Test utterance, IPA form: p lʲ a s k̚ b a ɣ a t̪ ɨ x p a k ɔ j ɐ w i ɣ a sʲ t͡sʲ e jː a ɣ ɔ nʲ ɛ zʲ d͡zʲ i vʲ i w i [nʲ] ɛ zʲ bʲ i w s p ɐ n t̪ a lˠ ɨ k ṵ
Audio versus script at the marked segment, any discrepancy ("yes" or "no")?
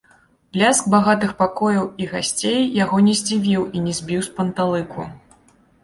no